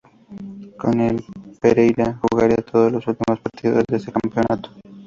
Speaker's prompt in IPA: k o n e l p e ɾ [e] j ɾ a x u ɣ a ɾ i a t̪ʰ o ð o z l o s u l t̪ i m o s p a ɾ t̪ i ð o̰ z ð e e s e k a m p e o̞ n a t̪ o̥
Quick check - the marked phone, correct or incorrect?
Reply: correct